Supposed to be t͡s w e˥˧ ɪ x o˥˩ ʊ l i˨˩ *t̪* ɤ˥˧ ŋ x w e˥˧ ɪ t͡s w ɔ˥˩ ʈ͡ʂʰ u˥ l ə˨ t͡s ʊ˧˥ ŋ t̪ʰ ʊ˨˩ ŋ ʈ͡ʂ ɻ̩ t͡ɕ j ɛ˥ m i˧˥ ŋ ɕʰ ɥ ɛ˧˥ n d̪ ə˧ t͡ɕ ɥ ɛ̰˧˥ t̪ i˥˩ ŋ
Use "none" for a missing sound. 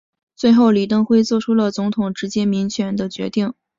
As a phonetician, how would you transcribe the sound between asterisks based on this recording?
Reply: t̪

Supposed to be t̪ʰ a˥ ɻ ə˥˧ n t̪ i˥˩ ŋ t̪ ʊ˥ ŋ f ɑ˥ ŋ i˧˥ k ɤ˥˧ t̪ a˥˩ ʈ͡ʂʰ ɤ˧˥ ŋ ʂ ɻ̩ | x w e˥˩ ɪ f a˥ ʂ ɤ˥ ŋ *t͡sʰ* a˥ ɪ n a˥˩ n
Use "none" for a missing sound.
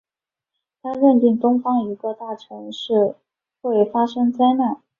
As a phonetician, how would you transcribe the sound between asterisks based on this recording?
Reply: t͡s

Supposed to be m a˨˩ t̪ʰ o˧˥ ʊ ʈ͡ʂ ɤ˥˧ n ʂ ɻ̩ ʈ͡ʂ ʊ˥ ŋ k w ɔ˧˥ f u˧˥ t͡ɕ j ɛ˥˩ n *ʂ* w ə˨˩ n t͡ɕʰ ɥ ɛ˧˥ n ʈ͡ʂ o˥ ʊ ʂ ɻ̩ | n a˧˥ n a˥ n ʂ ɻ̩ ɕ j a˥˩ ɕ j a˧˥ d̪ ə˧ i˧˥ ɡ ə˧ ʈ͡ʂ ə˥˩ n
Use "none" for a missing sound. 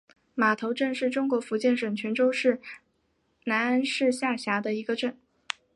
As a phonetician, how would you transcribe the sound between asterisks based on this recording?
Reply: ʂ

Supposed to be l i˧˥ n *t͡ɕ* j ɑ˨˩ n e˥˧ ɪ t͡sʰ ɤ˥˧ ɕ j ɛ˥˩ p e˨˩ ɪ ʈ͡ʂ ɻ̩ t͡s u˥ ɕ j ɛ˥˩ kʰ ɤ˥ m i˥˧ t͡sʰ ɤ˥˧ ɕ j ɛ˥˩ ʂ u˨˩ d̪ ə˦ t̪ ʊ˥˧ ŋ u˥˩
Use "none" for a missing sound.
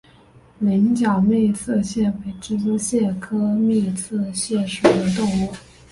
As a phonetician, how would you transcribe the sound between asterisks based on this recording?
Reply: t͡ɕ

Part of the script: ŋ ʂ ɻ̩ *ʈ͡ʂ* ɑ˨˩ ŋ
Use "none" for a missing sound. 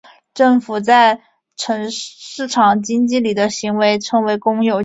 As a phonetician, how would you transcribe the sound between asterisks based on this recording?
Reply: ʈ͡ʂʰ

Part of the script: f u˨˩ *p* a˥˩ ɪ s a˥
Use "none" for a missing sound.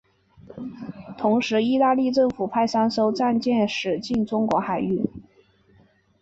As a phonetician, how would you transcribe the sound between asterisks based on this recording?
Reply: pʰ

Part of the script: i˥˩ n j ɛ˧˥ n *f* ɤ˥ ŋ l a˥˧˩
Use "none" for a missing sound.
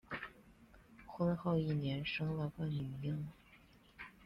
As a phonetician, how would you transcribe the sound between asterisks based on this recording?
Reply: ʂ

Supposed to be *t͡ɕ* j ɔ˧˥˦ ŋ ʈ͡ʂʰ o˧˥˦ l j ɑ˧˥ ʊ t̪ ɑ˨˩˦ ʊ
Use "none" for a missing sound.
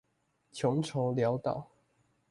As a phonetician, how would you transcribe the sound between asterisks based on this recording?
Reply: t͡ɕʰ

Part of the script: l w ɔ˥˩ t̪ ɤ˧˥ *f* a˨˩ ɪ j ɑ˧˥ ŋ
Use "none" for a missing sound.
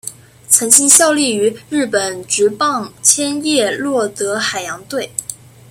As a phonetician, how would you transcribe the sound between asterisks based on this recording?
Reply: x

